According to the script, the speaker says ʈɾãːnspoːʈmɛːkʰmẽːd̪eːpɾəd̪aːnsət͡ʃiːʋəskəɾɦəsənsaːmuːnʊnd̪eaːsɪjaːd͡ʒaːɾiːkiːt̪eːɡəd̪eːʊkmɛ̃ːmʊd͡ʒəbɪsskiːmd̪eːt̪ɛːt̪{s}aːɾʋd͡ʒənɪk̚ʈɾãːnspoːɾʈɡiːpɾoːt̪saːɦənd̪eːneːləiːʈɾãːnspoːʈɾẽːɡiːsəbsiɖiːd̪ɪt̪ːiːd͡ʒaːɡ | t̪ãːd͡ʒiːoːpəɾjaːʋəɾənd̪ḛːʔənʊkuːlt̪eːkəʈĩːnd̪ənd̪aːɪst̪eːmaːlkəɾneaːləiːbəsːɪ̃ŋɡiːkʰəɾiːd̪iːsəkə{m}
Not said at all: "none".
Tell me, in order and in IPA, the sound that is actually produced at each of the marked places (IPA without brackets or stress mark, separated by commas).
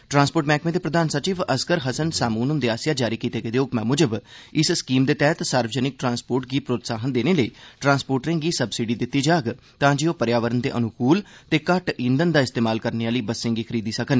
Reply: s, n